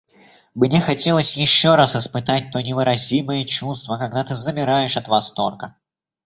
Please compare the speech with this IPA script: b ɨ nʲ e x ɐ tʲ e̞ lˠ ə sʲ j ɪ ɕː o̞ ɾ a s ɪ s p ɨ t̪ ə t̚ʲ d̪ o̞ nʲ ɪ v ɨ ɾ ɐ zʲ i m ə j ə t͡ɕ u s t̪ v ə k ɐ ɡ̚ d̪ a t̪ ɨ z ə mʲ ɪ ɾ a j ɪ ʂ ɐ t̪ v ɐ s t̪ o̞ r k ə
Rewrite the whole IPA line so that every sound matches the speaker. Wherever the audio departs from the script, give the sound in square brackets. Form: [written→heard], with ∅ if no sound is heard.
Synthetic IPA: b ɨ nʲ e x ɐ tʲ e̞ lˠ ə sʲ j ɪ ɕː o̞ ɾ a s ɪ s p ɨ t̪ [ə→a] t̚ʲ [d̪→t̪] o̞ nʲ ɪ v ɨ ɾ ɐ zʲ i m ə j ə t͡ɕ u s t̪ v ə k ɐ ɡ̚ d̪ a t̪ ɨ z ə mʲ ɪ ɾ a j ɪ ʂ ɐ t̪ v ɐ s t̪ o̞ r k ə